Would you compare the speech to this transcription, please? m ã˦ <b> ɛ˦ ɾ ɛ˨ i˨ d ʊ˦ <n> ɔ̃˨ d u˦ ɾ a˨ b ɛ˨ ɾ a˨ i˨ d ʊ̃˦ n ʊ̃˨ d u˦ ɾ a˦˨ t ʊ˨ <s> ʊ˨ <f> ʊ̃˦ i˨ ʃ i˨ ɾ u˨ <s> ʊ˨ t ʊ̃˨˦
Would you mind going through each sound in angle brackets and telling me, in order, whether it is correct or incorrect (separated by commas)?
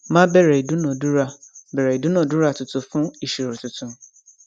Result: correct, correct, incorrect, correct, incorrect